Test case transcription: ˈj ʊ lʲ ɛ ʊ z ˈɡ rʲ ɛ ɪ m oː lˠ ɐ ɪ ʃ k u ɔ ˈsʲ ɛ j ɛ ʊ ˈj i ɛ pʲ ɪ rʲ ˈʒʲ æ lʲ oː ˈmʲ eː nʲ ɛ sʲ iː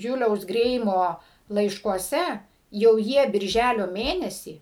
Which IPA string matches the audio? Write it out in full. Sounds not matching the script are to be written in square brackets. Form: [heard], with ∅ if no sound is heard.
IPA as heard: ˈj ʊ lʲ ɛ ʊ [s] ˈɡ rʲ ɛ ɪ m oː lˠ ɐ ɪ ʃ k u ɔ ˈsʲ ɛ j ɛ ʊ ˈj i ɛ [bʲ] ɪ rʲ ˈʒʲ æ lʲ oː ˈmʲ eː nʲ ɛ sʲ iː